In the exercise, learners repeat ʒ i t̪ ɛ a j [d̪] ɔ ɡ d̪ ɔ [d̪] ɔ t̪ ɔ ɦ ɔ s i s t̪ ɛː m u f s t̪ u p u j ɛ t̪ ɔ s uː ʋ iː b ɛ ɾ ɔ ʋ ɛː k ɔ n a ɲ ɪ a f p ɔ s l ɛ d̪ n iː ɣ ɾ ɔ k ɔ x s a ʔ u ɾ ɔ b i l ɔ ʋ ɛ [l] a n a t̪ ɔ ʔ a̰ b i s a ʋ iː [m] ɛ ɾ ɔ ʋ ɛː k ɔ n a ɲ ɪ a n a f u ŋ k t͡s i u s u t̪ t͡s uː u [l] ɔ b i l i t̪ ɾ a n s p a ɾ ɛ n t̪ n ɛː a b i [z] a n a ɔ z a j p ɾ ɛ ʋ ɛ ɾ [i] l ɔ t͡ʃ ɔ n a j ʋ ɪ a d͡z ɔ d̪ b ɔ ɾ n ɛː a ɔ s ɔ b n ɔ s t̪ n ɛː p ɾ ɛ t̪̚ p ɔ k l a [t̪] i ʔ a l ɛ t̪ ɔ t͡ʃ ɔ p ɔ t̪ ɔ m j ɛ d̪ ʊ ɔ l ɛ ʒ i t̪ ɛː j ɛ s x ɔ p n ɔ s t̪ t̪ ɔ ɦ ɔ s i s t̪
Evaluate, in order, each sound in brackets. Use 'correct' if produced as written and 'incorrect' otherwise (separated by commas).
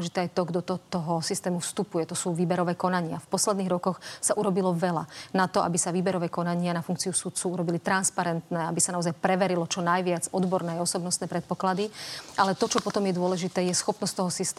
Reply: incorrect, incorrect, correct, incorrect, incorrect, incorrect, correct, incorrect